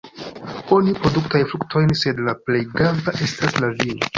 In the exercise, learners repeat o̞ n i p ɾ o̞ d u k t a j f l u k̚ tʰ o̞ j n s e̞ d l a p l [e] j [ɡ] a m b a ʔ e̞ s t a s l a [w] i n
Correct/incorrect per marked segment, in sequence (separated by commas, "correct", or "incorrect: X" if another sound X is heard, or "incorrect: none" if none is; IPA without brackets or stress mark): correct, correct, incorrect: v